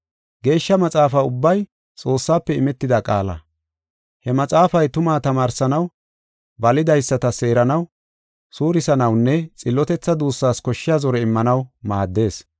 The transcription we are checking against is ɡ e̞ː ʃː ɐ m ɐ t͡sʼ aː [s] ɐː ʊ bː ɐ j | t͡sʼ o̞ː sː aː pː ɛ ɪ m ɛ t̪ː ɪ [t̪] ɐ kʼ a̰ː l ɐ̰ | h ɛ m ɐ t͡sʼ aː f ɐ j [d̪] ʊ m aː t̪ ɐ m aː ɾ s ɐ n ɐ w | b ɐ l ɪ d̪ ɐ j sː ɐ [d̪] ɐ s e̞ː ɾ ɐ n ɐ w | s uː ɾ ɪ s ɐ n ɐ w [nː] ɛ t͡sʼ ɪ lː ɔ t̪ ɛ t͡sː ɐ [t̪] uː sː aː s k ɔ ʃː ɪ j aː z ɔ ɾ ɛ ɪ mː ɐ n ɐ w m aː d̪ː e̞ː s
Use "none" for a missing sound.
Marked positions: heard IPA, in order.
f, d̪, t̪, t̪, nː, d̪

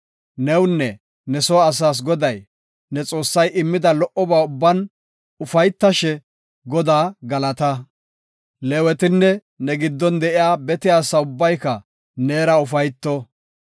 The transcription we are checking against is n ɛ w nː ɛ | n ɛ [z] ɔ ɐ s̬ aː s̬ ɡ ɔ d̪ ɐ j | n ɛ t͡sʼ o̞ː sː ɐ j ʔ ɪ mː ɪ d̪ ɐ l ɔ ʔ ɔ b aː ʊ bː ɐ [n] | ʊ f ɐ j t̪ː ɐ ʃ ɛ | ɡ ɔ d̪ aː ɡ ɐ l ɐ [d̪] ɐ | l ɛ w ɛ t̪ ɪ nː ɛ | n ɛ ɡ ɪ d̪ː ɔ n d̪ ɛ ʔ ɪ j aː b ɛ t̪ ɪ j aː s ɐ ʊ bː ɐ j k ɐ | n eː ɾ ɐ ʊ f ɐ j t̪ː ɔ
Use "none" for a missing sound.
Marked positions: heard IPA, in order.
s, n, t̪

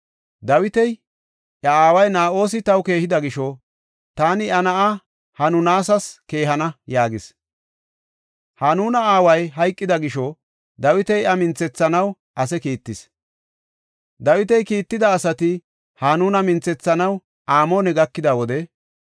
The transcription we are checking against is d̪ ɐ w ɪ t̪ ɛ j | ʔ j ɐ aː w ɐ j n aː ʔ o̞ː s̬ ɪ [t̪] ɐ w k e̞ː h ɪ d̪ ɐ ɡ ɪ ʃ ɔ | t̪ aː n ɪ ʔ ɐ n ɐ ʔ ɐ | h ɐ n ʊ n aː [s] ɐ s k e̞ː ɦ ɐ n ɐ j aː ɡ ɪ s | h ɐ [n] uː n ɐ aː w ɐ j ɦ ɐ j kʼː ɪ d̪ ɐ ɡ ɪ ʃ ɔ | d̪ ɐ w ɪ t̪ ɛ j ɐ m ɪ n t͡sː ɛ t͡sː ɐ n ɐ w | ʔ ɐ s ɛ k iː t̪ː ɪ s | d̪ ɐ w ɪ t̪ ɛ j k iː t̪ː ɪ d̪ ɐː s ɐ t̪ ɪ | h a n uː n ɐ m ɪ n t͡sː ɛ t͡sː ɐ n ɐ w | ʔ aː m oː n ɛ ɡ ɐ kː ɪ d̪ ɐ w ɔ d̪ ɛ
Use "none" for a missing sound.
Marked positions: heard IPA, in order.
t̪, s, n

